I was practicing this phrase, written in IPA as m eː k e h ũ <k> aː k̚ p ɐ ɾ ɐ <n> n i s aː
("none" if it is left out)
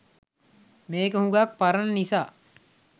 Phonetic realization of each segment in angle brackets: ɡ, n

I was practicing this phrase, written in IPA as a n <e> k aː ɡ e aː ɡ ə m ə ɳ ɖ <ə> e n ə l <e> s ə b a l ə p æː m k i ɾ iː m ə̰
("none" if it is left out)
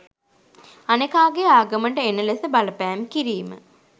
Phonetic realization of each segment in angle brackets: e, ə, e

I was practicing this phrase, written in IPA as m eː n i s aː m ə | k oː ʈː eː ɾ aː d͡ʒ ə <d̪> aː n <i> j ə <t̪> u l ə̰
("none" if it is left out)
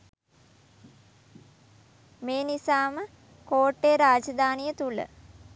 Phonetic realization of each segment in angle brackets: d̪, i, t̪

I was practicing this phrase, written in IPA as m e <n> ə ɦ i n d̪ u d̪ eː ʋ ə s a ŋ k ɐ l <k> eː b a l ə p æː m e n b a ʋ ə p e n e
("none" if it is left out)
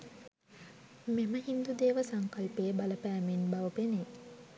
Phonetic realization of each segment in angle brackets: m, p

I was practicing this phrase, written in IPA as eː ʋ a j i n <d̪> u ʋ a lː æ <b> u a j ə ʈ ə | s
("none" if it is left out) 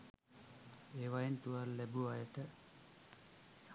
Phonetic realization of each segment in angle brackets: t̪, b

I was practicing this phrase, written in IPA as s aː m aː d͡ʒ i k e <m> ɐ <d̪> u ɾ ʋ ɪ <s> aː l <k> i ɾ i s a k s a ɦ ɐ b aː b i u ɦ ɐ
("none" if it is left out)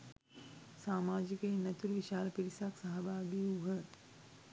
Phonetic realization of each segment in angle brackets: n, t̪, ʃ, p

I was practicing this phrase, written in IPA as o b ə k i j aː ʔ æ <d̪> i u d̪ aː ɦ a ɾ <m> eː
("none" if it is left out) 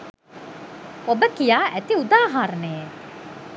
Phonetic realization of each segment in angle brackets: t̪, n

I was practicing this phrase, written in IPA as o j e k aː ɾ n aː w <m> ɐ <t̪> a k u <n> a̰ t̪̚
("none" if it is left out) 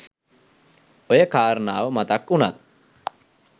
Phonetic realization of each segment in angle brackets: m, t̪, n

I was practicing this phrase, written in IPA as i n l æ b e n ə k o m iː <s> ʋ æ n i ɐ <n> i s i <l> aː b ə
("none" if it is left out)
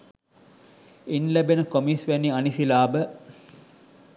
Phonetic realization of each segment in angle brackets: s, n, l

